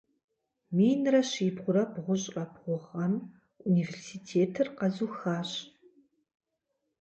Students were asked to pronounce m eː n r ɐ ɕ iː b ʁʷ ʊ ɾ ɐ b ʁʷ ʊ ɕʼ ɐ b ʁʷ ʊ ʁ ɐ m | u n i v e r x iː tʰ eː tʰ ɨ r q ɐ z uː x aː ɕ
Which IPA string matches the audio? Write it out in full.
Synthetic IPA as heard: m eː n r ɐ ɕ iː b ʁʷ ʊ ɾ ɐ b ʁʷ ʊ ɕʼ ɐ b ʁʷ ʊ ʁ ɐ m | u n i v e r s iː tʰ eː tʰ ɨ r q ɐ z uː x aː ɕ